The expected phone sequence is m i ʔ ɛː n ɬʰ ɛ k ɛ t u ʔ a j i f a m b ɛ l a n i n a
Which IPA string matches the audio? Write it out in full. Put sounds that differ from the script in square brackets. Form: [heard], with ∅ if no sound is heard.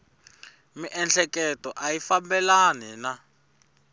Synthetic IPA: m i ʔ [ɛ] n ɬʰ ɛ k ɛ t [ɔ] ʔ a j i f a m b ɛ l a n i n a